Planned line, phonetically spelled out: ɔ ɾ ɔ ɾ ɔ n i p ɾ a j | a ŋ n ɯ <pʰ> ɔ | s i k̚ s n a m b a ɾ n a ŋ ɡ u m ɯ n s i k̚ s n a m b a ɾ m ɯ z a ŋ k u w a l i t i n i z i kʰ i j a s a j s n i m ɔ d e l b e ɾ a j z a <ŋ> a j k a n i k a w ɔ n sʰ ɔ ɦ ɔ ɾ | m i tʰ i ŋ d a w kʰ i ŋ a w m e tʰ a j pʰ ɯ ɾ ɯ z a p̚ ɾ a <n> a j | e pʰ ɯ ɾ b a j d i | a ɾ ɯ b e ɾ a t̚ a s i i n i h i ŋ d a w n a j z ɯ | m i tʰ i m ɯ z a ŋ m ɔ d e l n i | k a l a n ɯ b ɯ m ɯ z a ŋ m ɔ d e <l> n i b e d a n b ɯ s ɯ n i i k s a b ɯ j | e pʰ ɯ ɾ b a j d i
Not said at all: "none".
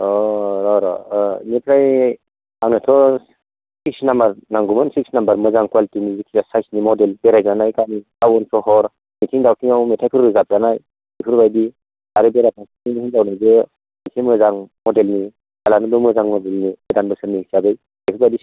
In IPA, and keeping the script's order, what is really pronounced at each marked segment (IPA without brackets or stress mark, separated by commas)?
tʰ, n, n, l